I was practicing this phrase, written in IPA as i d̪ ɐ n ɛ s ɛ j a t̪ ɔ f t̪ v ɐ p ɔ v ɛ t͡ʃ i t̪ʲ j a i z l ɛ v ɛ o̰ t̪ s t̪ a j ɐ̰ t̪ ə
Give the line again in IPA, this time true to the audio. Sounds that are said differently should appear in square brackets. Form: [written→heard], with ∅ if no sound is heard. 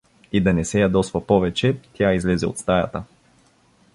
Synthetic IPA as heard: i d̪ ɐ n ɛ s ɛ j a [t̪→d̪] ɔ [f→s] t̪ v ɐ p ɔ v ɛ t͡ʃ [i→ɛ] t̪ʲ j a i z l ɛ [v→z] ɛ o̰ t̪ s t̪ a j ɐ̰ t̪ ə